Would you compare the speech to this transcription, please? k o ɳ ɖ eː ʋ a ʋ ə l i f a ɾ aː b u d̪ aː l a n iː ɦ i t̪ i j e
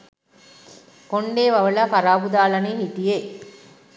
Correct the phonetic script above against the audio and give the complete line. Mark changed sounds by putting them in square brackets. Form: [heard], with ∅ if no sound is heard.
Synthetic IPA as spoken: k o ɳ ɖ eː ʋ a ʋ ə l [a] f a ɾ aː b u d̪ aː l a n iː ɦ i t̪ i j e